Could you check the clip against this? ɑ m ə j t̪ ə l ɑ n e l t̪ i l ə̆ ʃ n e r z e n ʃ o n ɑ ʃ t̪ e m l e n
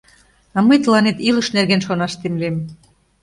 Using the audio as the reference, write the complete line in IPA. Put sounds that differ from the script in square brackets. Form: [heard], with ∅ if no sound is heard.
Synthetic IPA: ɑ m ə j t̪ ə l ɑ n e [∅] t̪ i l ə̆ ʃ n e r [ɣ] e n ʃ o n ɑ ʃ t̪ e m l e [m]